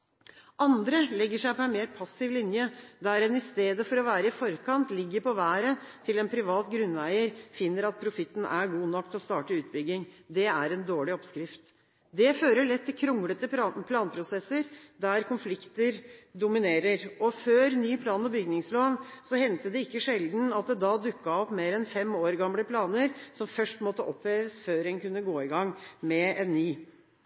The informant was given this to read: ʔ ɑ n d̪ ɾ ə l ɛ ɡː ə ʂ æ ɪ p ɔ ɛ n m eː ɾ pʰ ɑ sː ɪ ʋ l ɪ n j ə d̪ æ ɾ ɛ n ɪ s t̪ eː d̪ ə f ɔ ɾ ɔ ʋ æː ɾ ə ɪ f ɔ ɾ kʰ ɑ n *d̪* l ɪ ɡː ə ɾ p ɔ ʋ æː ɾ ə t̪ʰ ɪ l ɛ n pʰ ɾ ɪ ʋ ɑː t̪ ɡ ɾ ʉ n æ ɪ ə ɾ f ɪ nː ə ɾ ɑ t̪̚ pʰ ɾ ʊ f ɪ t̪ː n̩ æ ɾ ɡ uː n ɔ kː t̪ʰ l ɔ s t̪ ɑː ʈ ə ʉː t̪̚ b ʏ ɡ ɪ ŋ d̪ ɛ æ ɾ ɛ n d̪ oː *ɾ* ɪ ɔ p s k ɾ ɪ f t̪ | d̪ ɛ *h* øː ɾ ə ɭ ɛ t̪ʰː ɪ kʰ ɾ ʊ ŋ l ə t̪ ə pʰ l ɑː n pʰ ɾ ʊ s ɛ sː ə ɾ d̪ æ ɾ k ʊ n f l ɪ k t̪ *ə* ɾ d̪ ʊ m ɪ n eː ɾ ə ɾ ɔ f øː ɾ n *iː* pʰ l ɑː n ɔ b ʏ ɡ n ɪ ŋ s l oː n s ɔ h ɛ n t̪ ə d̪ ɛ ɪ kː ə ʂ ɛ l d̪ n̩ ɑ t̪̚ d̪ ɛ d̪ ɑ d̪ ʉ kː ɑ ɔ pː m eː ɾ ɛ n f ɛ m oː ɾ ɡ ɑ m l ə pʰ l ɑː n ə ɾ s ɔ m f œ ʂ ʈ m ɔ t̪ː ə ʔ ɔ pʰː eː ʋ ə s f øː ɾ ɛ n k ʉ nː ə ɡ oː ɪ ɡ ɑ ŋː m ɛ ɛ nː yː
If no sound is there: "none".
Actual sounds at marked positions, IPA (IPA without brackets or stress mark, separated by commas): t̪, ɭ, f, ə, yː